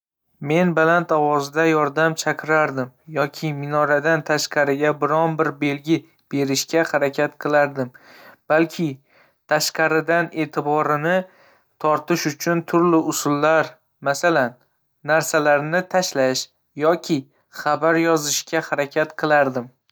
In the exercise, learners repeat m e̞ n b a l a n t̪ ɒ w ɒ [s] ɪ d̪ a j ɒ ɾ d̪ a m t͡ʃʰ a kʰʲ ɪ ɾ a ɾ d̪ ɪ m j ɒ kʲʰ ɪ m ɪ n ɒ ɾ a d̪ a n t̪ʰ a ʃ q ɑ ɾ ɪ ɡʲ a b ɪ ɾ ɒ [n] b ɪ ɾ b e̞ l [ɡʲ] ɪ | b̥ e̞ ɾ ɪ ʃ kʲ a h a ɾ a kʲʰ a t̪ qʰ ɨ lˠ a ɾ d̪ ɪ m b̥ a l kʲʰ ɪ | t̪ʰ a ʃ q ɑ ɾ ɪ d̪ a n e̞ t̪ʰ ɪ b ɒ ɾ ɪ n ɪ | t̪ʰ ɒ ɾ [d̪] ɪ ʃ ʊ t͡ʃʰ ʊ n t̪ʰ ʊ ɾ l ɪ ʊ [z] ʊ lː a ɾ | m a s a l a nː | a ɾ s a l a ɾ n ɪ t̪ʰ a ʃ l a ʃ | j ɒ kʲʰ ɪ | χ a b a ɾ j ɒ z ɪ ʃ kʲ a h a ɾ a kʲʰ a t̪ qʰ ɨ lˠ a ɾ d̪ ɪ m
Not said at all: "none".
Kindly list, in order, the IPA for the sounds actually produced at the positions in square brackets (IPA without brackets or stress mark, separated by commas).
z, n, ɡʲ, t̪, s